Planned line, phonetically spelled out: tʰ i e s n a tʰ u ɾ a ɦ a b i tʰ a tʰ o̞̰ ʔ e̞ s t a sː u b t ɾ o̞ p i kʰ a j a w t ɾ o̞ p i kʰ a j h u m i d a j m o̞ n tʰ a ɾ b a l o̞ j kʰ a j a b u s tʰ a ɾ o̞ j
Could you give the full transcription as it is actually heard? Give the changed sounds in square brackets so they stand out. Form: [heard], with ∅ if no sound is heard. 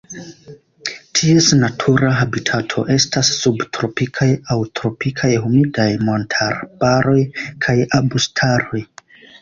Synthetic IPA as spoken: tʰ i e s n a tʰ u ɾ a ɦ a b i tʰ a tʰ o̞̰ ʔ e̞ s t a sː u b t ɾ o̞ p i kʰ a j a w t ɾ o̞ p i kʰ a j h u m i d a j m o̞ n tʰ a ɾ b a [ɾ] o̞ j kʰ a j a b u s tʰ a ɾ o̞ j